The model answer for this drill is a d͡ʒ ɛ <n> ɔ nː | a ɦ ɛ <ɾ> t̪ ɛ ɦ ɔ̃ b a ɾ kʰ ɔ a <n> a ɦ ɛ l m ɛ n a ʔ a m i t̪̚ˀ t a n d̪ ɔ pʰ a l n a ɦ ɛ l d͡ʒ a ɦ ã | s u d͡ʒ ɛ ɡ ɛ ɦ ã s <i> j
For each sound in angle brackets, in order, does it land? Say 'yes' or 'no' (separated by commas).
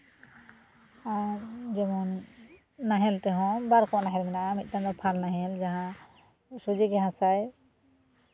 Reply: no, no, yes, no